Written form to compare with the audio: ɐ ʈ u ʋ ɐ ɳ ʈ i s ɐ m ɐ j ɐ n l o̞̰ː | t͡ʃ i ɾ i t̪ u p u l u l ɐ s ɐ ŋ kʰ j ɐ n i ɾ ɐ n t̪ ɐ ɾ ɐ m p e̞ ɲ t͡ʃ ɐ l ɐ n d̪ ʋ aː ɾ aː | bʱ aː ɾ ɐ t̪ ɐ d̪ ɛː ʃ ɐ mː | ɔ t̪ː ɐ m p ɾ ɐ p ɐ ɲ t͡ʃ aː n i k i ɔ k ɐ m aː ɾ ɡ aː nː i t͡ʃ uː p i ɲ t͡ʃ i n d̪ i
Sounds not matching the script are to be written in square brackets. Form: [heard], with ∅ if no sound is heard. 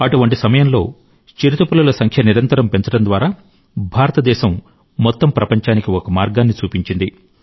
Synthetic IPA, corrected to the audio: ɐ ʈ u ʋ ɐ ɳ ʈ i s ɐ m ɐ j ɐ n l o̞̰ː | t͡ʃ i ɾ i t̪ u p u l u l ɐ s ɐ ŋ kʰ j ɐ n i ɾ ɐ n t̪ ɐ ɾ ɐ m p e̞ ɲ t͡ʃ ɐ [ɽ] ɐ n d̪ ʋ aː ɾ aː | bʱ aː ɾ ɐ t̪ ɐ d̪ ɛː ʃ ɐ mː | ɔ t̪ː ɐ m p ɾ ɐ p ɐ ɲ t͡ʃ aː n i k i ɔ k ɐ m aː ɾ ɡ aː nː i t͡ʃ uː p i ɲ t͡ʃ i n d̪ i